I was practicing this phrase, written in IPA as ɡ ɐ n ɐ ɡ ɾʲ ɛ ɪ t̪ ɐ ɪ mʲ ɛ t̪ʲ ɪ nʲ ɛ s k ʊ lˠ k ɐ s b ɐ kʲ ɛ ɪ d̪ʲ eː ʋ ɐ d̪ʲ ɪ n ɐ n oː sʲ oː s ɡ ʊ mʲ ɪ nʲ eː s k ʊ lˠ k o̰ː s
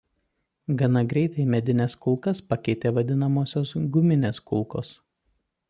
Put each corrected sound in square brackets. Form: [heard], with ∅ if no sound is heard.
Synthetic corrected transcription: ɡ ɐ n ɐ ɡ ɾʲ ɛ ɪ t̪ ɐ ɪ mʲ ɛ [d̪ʲ] ɪ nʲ ɛ s k ʊ lˠ k ɐ s [p] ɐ kʲ ɛ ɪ [t̪ʲ] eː ʋ ɐ d̪ʲ ɪ n ɐ [m] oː sʲ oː s ɡ ʊ mʲ ɪ nʲ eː s k ʊ lˠ k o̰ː s